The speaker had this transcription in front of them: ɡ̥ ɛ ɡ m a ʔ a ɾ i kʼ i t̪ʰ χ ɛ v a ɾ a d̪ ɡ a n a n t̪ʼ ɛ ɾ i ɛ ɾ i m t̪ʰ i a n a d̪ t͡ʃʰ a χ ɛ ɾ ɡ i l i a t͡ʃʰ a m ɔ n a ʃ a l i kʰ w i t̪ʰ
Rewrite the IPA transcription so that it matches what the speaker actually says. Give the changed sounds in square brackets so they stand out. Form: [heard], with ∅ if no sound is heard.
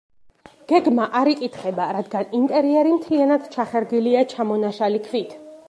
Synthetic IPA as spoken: ɡ̥ ɛ ɡ m a ʔ a ɾ i kʼ i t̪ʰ χ ɛ [b] a ɾ a d̪ ɡ a n [i] n t̪ʼ ɛ ɾ i ɛ ɾ i m t̪ʰ i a n a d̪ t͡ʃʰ a χ ɛ ɾ ɡ i l i a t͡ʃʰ a m ɔ n a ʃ a l i kʰ [v] i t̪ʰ